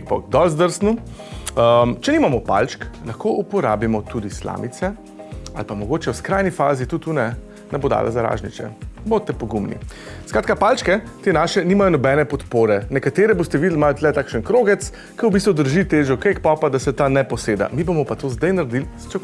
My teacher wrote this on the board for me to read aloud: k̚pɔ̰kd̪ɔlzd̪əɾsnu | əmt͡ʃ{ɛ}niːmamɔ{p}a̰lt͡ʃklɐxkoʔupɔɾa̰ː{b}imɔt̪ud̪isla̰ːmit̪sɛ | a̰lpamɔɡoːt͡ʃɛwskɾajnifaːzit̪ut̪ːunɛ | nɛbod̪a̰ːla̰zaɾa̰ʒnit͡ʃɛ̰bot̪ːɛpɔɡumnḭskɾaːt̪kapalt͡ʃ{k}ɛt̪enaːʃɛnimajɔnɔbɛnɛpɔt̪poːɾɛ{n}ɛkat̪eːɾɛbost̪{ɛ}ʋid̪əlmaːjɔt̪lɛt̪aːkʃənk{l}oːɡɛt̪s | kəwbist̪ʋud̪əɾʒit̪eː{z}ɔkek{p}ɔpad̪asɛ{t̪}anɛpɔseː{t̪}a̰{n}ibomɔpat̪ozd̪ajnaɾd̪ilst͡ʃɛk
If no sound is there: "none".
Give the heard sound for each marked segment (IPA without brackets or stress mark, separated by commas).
ɛ, p, b, k, n, ɛ, ɾ, ʒ, p, t̪, d̪, m